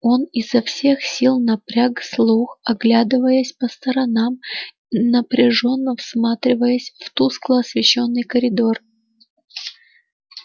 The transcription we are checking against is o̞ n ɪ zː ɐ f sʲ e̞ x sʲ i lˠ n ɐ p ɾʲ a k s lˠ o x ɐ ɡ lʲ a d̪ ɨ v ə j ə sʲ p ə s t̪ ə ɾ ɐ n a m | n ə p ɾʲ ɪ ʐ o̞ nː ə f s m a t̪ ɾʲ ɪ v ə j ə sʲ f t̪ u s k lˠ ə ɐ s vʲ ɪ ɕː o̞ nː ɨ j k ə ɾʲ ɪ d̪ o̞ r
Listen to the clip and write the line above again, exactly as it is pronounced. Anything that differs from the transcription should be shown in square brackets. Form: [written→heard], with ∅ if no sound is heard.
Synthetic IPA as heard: o̞ n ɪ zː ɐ f sʲ e̞ x sʲ i lˠ n ɐ p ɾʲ a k s lˠ [o→u] x ɐ ɡ lʲ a d̪ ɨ v ə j ə sʲ p ə s t̪ ə ɾ ɐ n a m | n ə p ɾʲ ɪ ʐ o̞ nː ə f s m a t̪ ɾʲ ɪ v ə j ə sʲ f t̪ u s k lˠ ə ɐ s vʲ ɪ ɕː o̞ nː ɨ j k ə ɾʲ ɪ d̪ o̞ r

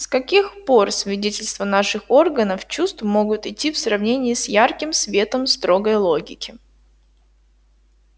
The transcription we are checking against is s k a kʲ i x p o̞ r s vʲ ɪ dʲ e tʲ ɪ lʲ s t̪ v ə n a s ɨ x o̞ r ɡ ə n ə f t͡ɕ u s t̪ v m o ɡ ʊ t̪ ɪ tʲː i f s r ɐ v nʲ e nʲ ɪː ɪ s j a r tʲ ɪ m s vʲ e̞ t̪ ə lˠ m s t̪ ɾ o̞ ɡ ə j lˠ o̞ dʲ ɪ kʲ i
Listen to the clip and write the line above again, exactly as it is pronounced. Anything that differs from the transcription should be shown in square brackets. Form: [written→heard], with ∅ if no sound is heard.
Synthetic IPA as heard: s k [a→ɐ] kʲ i x p o̞ r s vʲ ɪ dʲ e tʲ ɪ lʲ s t̪ v ə n a [s→ʂ] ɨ x o̞ r ɡ ə n ə f t͡ɕ u s t̪ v m o ɡ ʊ t̪ ɪ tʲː i f s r ɐ v nʲ e nʲ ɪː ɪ s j a r [tʲ→kʲ] ɪ m s vʲ e̞ t̪ ə [lˠ→∅] m s t̪ ɾ o̞ ɡ ə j lˠ o̞ [dʲ→ɡʲ] ɪ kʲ [i→ɪ]

